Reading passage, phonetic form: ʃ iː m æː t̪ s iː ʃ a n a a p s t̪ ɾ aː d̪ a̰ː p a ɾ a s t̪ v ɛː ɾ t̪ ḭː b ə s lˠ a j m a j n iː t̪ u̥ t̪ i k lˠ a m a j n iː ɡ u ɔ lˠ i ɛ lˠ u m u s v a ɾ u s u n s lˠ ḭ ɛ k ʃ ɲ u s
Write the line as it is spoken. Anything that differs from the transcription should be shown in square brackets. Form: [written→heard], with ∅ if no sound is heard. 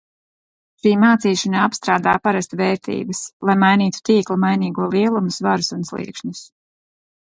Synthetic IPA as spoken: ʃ iː m [æː→aː] t̪ s iː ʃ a n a a p s t̪ ɾ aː d̪ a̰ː p a ɾ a s t̪ v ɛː ɾ t̪ ḭː b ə s lˠ a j m a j n iː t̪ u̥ t̪ [i→iː] k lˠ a m a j n iː ɡ u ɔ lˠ i ɛ lˠ u m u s v a ɾ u s u n s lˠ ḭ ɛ k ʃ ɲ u s